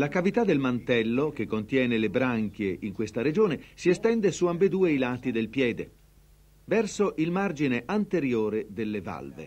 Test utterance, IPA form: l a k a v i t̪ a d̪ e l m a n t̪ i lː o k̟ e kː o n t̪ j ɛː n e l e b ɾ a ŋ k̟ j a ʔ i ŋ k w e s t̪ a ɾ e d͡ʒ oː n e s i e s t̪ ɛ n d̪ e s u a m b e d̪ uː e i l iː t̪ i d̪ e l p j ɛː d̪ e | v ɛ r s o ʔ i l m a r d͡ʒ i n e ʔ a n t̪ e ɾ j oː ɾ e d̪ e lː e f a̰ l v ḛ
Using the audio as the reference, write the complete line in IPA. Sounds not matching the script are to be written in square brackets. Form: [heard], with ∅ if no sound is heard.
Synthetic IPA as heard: l a k a v i t̪ a d̪ e l m a n t̪ [ɛ] lː o k̟ e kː o n t̪ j ɛː n e l e b ɾ a ŋ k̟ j [e] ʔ i ŋ k w e s t̪ a ɾ e d͡ʒ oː n e s i e s t̪ ɛ n d̪ e s u a m b e d̪ uː e i l [aː] t̪ i d̪ e l p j ɛː d̪ e | v ɛ r s o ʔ i l m a r d͡ʒ i n e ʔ a n t̪ e ɾ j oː ɾ e d̪ e lː e [v] a̰ l v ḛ